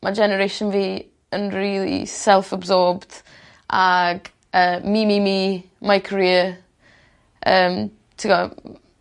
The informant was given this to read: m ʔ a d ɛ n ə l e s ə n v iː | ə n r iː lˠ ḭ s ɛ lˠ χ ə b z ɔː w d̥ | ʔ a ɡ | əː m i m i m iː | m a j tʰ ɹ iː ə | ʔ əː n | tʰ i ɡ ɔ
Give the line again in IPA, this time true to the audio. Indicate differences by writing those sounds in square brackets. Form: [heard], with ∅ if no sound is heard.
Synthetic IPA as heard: m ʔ a [d͡ʒ] ɛ n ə [ɾ] e [ʃ] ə n v iː | ə n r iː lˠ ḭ s ɛ lˠ [f] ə b z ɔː [b] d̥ | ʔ a ɡ | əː m i m i m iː | m a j [kʰ] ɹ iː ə | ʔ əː [m] | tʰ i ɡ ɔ